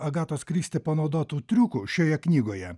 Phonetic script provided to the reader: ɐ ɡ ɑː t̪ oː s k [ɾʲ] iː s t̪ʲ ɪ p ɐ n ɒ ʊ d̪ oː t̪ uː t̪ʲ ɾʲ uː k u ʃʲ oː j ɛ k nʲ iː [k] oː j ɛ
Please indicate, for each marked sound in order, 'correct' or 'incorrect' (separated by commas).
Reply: correct, incorrect